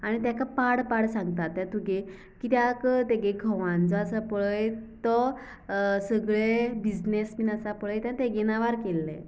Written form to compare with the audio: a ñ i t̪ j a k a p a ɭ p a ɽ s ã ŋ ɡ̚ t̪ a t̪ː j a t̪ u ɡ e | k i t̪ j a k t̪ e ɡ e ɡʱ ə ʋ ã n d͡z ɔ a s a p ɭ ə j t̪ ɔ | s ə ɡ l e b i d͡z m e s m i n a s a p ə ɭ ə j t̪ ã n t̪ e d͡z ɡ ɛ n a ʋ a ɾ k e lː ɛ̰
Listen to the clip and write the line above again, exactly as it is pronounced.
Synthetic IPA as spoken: a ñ i t̪ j a k a p a ɽ p a ɽ s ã ŋ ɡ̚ t̪ a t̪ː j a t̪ u ɡ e | k i t̪ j a k t̪ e ɡ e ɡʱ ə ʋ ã n d͡z ɔ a s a p ɭ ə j t̪ ɔ | s ə ɡ ɭ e b i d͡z n e s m i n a s a p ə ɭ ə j t̪ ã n t̪ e ɡ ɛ n a ʋ a ɾ k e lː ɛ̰